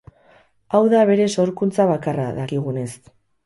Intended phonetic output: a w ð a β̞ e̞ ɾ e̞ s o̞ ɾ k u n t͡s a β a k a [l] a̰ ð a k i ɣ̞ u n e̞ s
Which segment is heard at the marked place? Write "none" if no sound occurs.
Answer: r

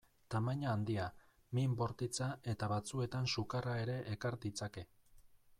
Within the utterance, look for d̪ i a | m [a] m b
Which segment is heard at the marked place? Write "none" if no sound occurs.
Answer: i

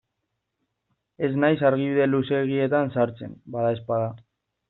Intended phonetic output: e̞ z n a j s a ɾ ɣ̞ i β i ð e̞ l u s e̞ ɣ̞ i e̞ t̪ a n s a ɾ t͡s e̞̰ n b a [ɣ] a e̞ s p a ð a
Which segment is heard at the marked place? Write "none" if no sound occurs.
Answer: ð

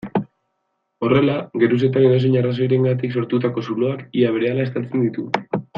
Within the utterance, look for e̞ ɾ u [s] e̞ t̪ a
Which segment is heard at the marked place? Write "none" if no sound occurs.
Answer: s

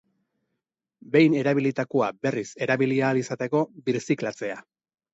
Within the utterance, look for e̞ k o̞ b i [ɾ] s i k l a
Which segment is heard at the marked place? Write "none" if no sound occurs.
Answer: ɾ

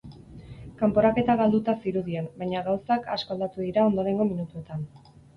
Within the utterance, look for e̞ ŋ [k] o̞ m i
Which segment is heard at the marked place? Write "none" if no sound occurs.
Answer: ɡ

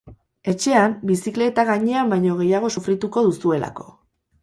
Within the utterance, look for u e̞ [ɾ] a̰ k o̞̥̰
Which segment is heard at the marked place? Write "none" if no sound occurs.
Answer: l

